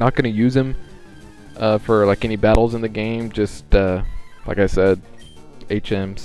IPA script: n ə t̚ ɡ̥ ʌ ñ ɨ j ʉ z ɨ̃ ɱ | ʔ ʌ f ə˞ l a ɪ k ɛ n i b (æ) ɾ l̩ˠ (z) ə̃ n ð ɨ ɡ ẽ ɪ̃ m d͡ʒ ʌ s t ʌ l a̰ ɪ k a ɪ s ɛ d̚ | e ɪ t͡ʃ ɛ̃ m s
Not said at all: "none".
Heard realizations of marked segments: æ, z

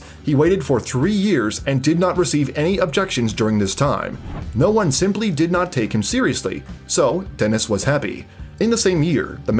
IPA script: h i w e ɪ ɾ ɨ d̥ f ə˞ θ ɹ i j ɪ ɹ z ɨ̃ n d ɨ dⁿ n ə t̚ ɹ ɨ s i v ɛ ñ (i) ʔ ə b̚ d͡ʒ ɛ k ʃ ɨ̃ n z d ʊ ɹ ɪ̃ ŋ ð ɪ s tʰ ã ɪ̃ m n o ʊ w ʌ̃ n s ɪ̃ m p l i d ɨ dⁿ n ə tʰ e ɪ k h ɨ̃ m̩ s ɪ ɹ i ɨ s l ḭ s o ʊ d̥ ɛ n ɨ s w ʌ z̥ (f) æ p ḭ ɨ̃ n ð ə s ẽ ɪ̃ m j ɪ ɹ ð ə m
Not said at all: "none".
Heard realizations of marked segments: i, h

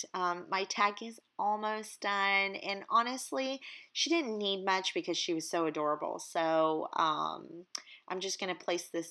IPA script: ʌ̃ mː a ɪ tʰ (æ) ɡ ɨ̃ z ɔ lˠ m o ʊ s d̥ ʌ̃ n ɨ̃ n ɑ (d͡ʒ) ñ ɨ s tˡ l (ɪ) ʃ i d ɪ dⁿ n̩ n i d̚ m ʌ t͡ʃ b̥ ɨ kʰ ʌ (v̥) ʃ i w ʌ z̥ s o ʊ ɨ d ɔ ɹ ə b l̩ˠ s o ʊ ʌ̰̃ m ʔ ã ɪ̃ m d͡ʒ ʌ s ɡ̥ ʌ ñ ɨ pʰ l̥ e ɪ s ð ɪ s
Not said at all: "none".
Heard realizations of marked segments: æ, none, i, z̥

